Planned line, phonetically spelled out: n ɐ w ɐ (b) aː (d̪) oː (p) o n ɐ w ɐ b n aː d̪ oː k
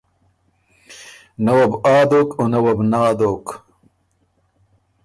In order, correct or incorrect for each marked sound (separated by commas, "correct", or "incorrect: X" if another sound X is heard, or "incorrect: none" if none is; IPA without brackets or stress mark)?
correct, correct, incorrect: k